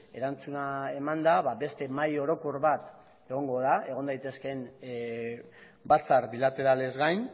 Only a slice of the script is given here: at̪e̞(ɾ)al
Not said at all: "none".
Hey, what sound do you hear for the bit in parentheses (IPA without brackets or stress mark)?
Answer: ɾ